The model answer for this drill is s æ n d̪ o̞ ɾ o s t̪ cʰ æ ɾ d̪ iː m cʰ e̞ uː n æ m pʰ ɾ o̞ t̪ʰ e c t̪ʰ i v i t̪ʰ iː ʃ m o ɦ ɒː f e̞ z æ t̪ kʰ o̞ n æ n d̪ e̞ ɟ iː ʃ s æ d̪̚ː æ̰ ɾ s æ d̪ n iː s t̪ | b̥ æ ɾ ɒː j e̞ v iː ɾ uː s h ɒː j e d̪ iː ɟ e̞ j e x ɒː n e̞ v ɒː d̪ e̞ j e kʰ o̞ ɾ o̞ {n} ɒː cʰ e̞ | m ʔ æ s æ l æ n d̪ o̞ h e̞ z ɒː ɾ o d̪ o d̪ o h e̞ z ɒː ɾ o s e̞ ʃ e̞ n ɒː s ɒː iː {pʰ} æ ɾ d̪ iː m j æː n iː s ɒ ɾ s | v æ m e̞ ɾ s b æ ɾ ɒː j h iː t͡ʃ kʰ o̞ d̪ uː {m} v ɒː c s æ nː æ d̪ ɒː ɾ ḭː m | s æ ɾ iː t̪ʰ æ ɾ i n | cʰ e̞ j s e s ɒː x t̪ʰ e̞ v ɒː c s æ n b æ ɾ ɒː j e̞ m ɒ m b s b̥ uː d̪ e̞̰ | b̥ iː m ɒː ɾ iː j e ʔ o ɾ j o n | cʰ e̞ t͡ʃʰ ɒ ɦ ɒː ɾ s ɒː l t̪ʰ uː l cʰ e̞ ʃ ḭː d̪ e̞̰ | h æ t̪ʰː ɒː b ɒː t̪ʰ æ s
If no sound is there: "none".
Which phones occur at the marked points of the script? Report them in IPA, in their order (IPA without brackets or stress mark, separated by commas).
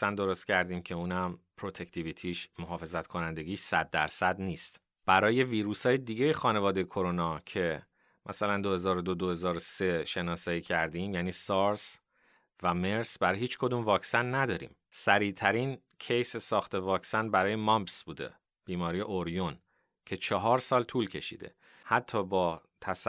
n, cʰ, m